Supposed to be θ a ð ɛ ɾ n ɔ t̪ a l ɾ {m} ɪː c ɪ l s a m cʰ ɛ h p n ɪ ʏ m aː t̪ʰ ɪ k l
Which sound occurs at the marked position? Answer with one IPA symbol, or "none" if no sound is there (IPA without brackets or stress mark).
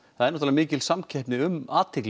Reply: m